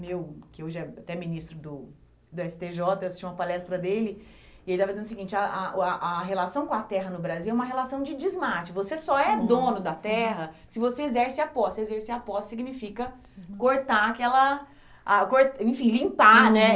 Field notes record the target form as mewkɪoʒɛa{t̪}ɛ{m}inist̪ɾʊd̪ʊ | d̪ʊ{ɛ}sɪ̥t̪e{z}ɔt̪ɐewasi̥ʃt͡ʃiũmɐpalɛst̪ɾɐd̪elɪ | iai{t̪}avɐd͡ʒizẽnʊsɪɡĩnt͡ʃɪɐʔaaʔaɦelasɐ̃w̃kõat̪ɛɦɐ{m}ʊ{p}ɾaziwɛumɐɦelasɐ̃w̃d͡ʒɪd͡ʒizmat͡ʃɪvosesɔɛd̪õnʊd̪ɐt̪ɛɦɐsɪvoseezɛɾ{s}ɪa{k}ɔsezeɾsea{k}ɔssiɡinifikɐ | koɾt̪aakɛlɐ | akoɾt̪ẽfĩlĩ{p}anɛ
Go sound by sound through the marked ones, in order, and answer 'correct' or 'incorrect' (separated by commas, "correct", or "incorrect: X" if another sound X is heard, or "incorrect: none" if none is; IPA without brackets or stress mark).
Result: correct, correct, correct, incorrect: ʒ, correct, incorrect: n, incorrect: b, correct, incorrect: p, incorrect: p, correct